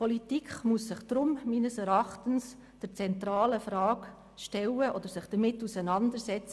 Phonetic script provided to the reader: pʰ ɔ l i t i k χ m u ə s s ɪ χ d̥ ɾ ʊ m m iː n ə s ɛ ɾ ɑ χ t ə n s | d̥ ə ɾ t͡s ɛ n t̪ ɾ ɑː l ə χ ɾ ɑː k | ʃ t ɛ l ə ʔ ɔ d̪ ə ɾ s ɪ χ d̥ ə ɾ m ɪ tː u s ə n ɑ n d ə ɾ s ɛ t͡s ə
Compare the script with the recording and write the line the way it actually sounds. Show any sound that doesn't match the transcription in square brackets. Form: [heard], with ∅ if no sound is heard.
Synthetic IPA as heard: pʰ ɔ l i t i k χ m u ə s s ɪ χ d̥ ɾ ʊ m m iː n ə s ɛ ɾ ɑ χ t ə n s | d̥ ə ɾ t͡s ɛ n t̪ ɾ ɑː l ə [f] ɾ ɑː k | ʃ t ɛ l ə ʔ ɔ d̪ ə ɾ s ɪ χ d̥ ə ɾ m ɪ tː u s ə n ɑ n d ə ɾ s ɛ t͡s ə

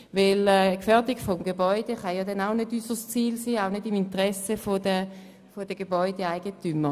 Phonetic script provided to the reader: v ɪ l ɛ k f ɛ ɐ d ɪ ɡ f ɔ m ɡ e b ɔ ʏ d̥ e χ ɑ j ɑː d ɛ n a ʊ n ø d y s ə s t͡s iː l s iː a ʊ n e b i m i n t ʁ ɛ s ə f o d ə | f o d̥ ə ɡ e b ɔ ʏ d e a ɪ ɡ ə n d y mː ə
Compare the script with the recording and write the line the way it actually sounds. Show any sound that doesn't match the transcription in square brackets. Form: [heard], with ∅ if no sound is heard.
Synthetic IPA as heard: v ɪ l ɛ k f ɛ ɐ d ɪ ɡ f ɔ m ɡ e b ɔ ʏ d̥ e χ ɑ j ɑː d ɛ n a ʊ n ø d y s ə s t͡s iː l s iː a ʊ n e [d] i m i n t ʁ ɛ s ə f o d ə | f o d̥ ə ɡ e b ɔ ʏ d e a ɪ ɡ ə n [t] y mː ə

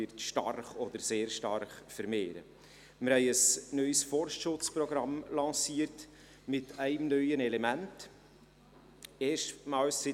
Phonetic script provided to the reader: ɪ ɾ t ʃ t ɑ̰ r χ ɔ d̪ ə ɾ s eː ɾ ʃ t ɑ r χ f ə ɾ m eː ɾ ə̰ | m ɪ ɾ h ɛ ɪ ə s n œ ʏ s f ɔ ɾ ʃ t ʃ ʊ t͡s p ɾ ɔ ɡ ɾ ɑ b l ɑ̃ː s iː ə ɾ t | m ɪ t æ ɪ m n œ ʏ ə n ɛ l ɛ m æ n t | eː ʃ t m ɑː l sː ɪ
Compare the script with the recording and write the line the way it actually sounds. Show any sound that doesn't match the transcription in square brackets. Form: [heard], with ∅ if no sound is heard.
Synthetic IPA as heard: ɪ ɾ t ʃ t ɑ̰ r χ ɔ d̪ ə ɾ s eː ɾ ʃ t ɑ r χ f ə ɾ m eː ɾ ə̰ | m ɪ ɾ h ɛ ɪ ə s n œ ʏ s f ɔ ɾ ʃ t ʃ ʊ t͡s p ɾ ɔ ɡ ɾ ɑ [m] l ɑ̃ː s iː ə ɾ t | m ɪ t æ ɪ m n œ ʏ ə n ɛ l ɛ m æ n t | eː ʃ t m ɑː l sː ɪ

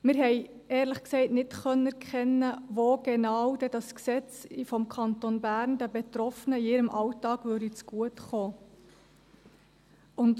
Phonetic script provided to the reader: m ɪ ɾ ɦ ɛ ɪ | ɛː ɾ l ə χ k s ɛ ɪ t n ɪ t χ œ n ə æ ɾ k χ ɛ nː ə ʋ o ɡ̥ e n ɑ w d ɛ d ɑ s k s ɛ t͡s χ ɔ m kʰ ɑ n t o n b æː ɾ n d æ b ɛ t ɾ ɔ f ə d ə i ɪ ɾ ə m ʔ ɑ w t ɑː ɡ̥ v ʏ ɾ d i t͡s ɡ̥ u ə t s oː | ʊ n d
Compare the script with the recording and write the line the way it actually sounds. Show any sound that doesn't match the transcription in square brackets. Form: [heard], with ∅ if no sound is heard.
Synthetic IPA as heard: m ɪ ɾ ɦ ɛ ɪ | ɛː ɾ l ə χ k s ɛ ɪ t n ɪ t χ œ n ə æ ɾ k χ ɛ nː ə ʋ o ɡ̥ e n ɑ w d ɛ d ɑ s k s ɛ t͡s [f] ɔ m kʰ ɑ n t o n b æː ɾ n d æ b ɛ t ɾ ɔ f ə [n] ə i ɪ ɾ ə m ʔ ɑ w t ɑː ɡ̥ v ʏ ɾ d i t͡s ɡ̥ u ə t [χ] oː | ʊ n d

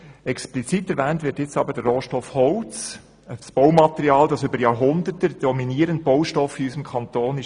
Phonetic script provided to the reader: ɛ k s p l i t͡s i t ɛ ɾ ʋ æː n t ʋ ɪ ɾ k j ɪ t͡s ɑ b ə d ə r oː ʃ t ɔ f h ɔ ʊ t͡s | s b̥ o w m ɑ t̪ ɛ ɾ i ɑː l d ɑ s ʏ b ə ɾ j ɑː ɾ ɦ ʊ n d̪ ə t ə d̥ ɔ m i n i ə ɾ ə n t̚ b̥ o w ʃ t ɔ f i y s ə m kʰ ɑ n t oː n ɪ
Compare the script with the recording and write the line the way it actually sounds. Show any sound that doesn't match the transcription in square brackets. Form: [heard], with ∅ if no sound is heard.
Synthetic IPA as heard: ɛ k s p l i t͡s i t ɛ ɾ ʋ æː n t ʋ ɪ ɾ [t] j ɪ t͡s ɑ b ə d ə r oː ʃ t ɔ f h ɔ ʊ t͡s | s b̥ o w m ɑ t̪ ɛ ɾ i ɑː l d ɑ s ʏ b ə ɾ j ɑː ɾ ɦ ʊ n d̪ ə t ə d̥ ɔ m i n i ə ɾ ə n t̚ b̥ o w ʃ t ɔ f i y s ə m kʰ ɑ n t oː n ɪ

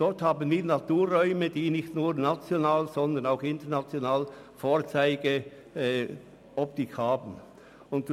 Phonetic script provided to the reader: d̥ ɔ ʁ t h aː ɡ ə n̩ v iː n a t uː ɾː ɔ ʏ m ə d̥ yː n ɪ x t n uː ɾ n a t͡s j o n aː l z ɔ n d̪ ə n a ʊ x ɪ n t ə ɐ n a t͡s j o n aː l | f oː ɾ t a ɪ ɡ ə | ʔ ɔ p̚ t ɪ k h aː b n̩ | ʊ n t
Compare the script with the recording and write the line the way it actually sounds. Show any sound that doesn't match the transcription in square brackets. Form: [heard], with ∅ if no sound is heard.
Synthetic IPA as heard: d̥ ɔ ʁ t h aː [b] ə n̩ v iː n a t uː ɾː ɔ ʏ m ə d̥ [iː] n ɪ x t n uː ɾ n a t͡s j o n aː l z ɔ n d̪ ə n a ʊ x ɪ n t ə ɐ n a t͡s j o n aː l | f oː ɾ [t͡s] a ɪ ɡ ə | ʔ ɔ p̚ t ɪ k h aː b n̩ | ʊ n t

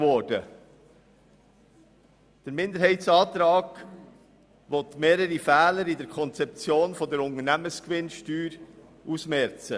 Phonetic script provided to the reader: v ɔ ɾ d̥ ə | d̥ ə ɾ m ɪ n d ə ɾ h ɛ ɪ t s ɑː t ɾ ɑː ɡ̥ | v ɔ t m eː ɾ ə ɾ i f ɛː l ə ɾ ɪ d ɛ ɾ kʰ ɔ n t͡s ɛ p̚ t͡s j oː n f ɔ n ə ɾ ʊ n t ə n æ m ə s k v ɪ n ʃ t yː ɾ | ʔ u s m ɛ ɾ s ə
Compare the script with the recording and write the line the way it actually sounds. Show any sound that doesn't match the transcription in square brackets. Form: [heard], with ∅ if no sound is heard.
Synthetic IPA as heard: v ɔ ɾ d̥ ə | d̥ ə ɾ m ɪ n d ə ɾ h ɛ ɪ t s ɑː t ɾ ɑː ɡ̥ | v ɔ t m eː ɾ ə ɾ i f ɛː l ə ɾ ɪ d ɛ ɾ kʰ ɔ n t͡s ɛ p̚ t͡s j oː n f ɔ [d] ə ɾ ʊ n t ə n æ m ə s k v ɪ n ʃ t yː ɾ | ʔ u s m ɛ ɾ [t͡s] ə

